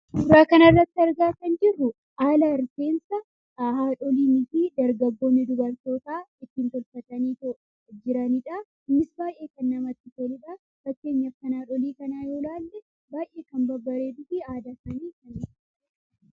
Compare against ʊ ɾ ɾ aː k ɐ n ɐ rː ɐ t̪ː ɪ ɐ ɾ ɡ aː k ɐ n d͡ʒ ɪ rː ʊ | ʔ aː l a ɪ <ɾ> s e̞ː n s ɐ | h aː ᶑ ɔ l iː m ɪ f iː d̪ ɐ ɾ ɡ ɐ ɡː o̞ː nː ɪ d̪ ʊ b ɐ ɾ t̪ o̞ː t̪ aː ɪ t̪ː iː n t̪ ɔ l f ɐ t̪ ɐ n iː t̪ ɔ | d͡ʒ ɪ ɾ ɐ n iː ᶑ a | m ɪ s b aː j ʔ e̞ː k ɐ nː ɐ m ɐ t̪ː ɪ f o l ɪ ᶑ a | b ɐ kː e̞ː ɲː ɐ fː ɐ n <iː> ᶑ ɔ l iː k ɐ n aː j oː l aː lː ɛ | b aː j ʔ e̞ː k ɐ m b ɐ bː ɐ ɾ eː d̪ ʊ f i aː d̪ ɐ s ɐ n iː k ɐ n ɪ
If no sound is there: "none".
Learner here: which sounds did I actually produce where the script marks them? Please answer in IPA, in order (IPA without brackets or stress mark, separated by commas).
ɾ, aː